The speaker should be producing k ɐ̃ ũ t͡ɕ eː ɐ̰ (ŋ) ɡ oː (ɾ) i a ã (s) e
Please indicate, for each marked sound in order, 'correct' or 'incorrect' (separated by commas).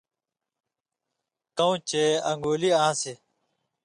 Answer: correct, incorrect, correct